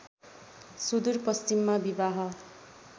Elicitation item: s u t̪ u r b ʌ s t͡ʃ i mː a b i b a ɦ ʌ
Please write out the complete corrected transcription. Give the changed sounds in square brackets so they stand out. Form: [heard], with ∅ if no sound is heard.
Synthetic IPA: s u [d̪] u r [p] ʌ s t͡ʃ i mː a b i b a ɦ ʌ